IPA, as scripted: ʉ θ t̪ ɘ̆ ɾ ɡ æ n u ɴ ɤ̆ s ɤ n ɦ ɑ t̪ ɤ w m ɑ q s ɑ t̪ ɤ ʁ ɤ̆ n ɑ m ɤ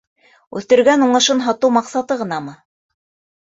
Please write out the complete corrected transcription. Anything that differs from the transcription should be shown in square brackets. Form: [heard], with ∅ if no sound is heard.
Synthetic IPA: ʉ θ t̪ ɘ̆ ɾ ɡ æ n u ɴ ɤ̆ [ʃ] ɤ n ɦ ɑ t̪ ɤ w m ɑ q s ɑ t̪ ɤ ʁ ɤ̆ n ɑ m ɤ